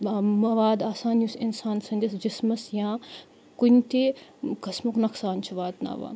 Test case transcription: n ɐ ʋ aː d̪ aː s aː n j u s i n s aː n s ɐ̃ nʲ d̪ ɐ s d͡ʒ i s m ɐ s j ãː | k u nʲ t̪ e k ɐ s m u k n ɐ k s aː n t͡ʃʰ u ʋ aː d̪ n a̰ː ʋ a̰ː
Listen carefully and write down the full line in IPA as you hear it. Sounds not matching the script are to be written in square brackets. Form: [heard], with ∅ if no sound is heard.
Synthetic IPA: [m] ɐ ʋ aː d̪ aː s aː n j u s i n s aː n s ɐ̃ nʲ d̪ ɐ s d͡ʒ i s m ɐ s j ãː | k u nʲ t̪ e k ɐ s m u k n ɐ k s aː n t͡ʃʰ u ʋ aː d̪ n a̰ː ʋ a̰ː